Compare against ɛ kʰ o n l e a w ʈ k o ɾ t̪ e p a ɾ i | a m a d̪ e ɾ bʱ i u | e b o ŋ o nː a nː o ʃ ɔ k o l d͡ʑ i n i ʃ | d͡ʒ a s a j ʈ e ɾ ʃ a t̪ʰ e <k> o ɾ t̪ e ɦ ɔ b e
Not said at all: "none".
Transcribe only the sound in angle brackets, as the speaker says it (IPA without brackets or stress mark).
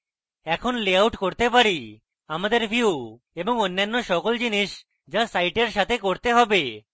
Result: k